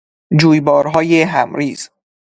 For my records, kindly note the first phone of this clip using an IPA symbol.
d͡ʒ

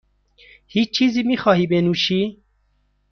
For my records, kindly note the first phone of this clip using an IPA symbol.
h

